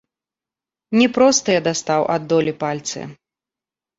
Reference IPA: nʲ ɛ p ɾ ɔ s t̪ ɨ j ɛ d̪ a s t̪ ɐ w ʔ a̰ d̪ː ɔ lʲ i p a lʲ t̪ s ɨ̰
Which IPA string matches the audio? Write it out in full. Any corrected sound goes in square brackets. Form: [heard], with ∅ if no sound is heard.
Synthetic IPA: nʲ ɛ p ɾ ɔ s t̪ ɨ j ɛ d̪ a s t̪ [a] w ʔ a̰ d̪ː ɔ lʲ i p a lʲ t̪ s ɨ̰